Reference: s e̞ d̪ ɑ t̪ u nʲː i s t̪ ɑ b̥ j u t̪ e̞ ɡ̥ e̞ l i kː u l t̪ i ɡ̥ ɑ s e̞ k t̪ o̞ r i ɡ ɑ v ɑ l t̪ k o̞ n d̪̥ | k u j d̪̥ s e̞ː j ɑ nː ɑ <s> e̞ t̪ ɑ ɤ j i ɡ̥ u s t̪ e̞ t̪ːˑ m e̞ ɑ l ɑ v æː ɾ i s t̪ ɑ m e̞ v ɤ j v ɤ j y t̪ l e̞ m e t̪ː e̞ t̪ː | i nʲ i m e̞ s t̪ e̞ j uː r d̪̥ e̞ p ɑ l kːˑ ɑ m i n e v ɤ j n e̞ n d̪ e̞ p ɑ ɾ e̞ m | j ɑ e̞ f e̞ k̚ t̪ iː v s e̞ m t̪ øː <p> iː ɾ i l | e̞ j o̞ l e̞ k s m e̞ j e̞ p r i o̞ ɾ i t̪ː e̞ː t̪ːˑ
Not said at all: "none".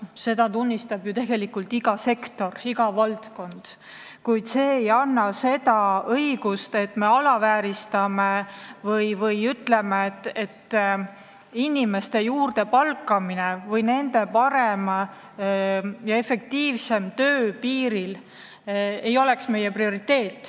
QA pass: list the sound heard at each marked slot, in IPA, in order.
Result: s, p

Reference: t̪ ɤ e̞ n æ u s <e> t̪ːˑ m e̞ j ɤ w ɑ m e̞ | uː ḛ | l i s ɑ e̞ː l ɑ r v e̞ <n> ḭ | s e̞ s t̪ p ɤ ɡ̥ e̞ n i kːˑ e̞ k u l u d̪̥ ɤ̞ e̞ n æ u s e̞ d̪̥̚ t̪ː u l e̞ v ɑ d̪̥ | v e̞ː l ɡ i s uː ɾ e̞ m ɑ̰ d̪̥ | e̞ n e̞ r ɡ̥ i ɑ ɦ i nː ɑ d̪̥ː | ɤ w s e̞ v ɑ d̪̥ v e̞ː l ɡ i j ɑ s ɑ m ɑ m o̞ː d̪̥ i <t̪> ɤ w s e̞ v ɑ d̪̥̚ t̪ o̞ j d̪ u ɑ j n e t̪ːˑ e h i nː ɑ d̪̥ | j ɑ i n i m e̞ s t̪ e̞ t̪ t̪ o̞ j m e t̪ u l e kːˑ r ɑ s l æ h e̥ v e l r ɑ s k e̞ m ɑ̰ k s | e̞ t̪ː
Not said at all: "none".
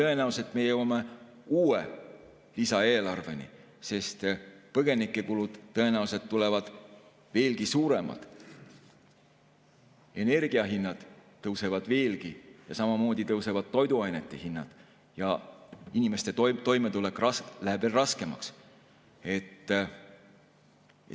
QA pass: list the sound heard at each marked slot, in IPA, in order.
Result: e, n, t̪

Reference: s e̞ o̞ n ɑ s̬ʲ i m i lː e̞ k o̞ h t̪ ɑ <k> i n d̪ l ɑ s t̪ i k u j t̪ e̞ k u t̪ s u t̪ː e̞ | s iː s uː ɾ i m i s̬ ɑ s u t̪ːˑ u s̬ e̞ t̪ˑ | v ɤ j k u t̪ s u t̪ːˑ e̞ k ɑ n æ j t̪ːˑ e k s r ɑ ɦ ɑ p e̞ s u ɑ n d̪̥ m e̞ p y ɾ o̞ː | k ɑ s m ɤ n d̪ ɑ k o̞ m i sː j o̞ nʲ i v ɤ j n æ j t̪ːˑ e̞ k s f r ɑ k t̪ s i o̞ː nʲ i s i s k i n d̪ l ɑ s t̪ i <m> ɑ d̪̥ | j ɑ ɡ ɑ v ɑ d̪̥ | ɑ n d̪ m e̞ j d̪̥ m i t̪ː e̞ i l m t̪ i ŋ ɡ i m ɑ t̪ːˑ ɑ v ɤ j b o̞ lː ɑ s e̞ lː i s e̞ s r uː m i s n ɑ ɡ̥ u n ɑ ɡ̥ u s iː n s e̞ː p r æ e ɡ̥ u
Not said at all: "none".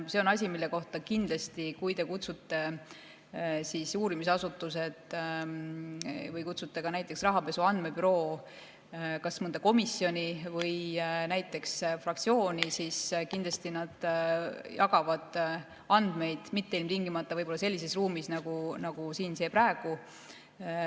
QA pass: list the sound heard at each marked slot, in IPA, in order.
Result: k, n

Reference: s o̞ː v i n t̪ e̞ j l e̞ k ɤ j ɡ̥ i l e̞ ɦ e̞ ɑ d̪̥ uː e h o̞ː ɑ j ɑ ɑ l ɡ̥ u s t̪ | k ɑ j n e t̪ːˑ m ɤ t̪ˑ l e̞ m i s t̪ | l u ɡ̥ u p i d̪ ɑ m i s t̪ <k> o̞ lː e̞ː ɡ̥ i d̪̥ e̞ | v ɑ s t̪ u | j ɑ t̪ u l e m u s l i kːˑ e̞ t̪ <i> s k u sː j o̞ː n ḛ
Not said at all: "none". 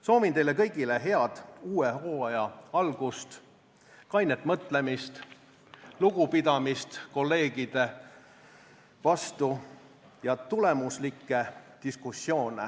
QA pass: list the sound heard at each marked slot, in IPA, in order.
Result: k, i

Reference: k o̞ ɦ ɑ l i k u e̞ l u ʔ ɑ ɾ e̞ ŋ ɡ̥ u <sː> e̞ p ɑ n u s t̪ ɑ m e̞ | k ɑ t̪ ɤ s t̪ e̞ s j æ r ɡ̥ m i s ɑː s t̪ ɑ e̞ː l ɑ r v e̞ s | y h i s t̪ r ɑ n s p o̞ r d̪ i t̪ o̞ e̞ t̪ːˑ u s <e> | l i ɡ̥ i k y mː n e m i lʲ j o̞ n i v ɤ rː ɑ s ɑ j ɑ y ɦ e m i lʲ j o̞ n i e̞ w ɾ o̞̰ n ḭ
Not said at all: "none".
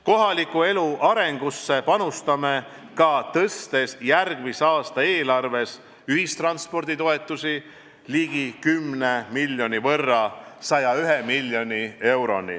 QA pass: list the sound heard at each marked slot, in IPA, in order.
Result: sː, i

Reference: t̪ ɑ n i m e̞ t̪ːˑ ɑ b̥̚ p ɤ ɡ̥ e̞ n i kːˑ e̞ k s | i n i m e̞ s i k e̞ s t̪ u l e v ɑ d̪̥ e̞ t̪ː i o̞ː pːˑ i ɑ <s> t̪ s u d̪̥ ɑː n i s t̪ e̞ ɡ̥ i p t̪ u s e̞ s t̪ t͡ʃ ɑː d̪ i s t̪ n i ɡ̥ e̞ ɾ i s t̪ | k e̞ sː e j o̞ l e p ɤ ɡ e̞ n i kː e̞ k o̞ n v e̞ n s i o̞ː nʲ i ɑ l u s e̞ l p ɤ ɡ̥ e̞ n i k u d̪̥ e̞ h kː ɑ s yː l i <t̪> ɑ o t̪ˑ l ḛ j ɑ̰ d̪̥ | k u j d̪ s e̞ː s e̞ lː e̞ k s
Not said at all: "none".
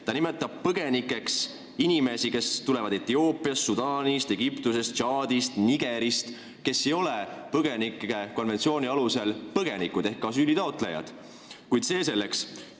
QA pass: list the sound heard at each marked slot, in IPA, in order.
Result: s, t̪

